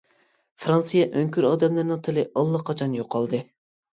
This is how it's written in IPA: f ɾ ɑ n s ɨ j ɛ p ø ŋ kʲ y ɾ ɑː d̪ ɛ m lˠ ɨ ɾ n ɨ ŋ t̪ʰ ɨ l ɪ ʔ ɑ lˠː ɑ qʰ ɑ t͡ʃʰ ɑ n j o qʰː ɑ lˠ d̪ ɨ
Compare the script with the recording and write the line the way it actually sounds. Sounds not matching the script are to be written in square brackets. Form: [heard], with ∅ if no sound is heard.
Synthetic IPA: f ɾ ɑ n s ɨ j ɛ [ʔ] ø ŋ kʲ y ɾ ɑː d̪ ɛ m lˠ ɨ ɾ n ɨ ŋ t̪ʰ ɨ l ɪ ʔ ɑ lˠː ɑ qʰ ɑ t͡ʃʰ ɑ n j o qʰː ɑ lˠ d̪ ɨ